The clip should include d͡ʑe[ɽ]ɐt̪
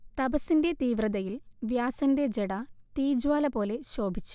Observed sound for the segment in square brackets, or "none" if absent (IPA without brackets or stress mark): ɽ